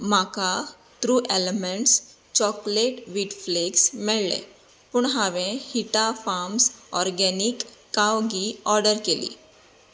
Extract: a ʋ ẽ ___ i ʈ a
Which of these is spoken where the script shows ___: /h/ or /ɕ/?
h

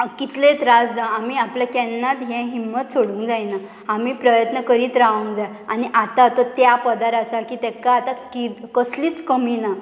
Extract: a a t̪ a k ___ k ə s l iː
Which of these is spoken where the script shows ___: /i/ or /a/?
i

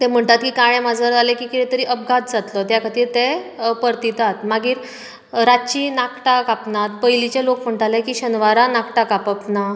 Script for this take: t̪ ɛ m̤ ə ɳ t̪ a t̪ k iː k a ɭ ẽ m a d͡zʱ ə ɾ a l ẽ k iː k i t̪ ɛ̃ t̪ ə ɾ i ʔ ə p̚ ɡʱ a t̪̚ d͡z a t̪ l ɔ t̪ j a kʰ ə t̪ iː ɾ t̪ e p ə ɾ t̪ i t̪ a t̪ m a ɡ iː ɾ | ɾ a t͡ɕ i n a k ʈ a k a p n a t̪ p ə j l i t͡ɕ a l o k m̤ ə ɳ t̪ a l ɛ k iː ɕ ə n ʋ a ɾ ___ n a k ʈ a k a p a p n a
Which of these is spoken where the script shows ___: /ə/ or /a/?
a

